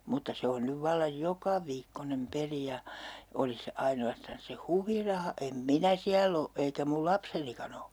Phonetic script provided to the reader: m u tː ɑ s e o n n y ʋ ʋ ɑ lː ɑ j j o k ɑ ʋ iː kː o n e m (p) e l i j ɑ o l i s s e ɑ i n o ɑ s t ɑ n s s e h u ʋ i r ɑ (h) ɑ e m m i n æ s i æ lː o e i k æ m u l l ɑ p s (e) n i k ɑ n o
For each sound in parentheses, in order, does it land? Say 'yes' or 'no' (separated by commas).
yes, yes, yes